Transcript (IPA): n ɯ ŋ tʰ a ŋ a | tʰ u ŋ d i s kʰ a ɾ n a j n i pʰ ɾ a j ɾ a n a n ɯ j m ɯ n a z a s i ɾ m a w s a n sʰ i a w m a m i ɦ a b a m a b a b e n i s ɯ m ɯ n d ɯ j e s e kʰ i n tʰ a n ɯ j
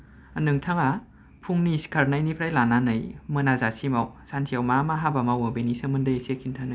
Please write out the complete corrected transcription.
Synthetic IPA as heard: n ɯ ŋ tʰ a ŋ a | pʰ u ŋ n i s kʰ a ɾ n a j n i pʰ ɾ a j l a n a n ɯ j m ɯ n a z a s i m a w s a n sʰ i a w m a m a ɦ a b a m a w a b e n i s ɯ m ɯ n d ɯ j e s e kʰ i n tʰ a n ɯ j

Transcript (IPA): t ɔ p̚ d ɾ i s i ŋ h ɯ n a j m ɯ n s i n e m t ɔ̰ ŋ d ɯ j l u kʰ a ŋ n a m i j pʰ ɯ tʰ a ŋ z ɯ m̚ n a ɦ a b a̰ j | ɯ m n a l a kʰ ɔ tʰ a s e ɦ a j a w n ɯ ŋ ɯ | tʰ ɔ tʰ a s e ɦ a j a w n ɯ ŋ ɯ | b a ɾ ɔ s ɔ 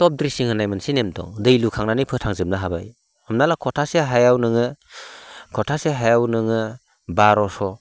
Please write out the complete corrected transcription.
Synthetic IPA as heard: t ɔ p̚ d ɾ i s i ŋ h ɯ n a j m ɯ n s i n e m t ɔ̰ ŋ d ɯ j l u kʰ a ŋ n a n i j pʰ ɯ tʰ a ŋ z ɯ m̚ n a ɦ a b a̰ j | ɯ m n a l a kʰ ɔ tʰ a s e ɦ a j a w n ɯ ŋ ɯ | kʰ ɔ tʰ a s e ɦ a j a w n ɯ ŋ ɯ | b a ɾ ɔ s ɔ

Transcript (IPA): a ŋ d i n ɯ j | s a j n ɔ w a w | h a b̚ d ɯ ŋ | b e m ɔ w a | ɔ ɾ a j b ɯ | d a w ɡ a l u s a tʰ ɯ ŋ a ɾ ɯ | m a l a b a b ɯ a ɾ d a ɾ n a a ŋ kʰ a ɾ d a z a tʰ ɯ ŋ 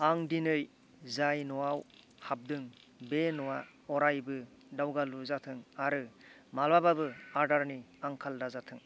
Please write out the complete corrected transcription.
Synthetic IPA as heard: a ŋ d i n ɯ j | z a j n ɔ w a w | h a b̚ d ɯ ŋ | b e n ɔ w a | ɔ ɾ a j b ɯ | d a w ɡ a l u z a tʰ ɯ ŋ a ɾ ɯ | m a l a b a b ɯ a ɾ d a ɾ n i a ŋ kʰ a l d a z a tʰ ɯ ŋ

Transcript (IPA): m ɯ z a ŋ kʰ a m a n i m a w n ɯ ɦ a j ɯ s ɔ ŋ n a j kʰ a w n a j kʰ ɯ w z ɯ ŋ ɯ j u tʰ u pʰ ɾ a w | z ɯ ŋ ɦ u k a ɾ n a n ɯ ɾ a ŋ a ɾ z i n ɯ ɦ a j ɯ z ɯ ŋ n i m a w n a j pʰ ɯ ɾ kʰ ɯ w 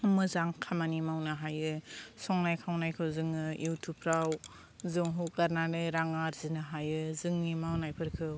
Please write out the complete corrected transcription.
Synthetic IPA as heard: m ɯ z a ŋ kʰ a m a n i m a w n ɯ ɦ a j ɯ s ɔ ŋ n a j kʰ a w n a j kʰ ɯ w z ɯ ŋ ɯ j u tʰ u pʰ ɾ a w | z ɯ ŋ ɦ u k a ɾ n a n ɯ ɾ a ŋ a ɾ z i n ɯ ɦ a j ɯ z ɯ ŋ n i m a w n a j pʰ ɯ ɾ kʰ ɯ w

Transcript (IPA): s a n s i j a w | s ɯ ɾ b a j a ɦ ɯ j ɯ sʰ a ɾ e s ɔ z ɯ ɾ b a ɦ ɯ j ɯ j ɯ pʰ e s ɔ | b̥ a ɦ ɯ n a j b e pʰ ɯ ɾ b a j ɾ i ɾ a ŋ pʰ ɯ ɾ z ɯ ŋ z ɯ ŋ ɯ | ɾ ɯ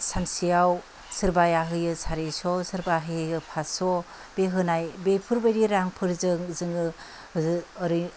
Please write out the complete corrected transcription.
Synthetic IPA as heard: s a n s i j a w | s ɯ ɾ b a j a ɦ ɯ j ɯ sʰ a ɾ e s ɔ s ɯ ɾ b a ɦ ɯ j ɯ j ɯ pʰ a s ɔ | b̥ e ɦ ɯ n a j b e pʰ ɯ ɾ b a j ɾ i ɾ a ŋ pʰ ɯ ɾ z ɯ ŋ z ɯ ŋ ɯ | ɾ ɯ

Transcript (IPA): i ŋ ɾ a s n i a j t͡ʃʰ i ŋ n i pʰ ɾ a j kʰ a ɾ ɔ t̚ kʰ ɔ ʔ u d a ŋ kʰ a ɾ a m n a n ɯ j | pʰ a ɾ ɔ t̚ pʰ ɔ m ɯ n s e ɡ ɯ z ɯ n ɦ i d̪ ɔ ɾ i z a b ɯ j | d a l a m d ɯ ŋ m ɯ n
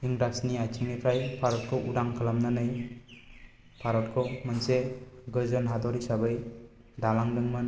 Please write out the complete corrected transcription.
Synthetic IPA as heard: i ŋ ɾ a s n i a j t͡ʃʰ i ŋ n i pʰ ɾ a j pʰ a ɾ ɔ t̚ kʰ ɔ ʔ u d a ŋ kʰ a l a m n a n ɯ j | pʰ a ɾ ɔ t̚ kʰ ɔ m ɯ n s e ɡ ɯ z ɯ n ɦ a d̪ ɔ ɾ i s a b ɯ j | d a l a ŋ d ɯ ŋ m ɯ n

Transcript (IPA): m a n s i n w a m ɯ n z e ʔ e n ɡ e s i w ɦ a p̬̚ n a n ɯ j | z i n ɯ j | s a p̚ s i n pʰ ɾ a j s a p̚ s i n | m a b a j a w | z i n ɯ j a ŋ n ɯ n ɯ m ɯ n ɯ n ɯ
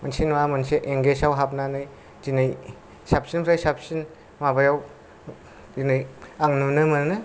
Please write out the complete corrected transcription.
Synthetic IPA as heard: m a n s i n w a m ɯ n s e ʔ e ŋ ɡ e s a w ɦ a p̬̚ n a n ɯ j | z i n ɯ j | s a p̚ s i n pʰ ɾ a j s a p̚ s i n | m a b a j a w | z i n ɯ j a ŋ n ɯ n ɯ m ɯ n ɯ n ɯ

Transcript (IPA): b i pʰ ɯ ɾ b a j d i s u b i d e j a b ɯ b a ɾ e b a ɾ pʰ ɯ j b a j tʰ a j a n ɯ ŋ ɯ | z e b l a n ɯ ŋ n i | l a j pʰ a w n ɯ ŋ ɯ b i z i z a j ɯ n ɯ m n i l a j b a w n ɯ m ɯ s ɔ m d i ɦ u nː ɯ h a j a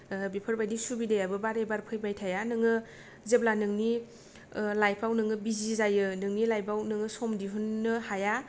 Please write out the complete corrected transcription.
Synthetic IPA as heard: b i pʰ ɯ ɾ b a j d i s u b i d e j a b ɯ b a ɾ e b a ɾ pʰ ɯ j b a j tʰ a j a n ɯ ŋ ɯ | z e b l a n ɯ ŋ n i | l a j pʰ a w n ɯ ŋ ɯ b i z i z a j ɯ n ɯ ŋ n i l a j b a w n ɯ ŋ ɯ s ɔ m d i ɦ u nː ɯ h a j a

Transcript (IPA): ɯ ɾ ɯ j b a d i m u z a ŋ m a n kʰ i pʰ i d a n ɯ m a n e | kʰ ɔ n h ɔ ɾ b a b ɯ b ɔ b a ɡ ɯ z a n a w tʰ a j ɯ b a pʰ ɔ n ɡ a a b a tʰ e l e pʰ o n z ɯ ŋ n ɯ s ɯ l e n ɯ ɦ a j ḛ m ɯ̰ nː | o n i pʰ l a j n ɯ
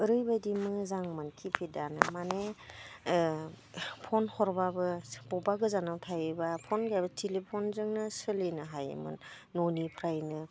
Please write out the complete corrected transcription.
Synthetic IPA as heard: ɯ ɾ ɯ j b a d i m ɯ z a ŋ m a n kʰ i pʰ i d a n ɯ m a n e | pʰ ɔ n h ɔ ɾ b a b ɯ b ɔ b a ɡ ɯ z a n a w tʰ a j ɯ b a pʰ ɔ n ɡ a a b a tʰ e l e pʰ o n z ɯ ŋ n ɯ s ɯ l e n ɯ ɦ a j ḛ m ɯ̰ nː | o n i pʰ ɾ a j n ɯ

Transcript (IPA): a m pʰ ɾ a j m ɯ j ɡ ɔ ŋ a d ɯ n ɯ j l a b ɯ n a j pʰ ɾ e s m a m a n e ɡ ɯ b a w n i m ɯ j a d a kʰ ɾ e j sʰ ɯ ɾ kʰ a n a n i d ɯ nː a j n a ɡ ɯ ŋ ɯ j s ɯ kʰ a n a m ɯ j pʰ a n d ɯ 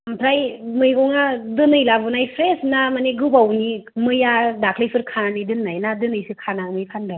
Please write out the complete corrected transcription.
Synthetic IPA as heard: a m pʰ ɾ a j m ɯ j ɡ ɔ ŋ a d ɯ n ɯ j l a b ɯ n a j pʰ ɾ e s n a m a n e ɡ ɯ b a w n i m ɯ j a d a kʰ l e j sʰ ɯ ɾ kʰ a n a n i d ɯ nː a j n a d ɯ n ɯ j s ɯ kʰ a n a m ɯ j pʰ a n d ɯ

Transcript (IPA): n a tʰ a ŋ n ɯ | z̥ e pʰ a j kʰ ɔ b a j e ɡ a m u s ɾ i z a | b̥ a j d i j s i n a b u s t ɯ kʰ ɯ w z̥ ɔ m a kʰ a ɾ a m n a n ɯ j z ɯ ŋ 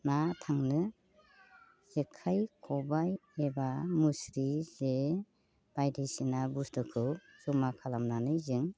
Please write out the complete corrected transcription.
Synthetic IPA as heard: n a tʰ a ŋ n ɯ | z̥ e kʰ a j kʰ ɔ b a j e b a m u s ɾ i z e | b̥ a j d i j s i n a b u s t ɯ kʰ ɯ w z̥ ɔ m a kʰ a l a m n a n ɯ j z ɯ ŋ

